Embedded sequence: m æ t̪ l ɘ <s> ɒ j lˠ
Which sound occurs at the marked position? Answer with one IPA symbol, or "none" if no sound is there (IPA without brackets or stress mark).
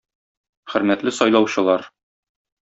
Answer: s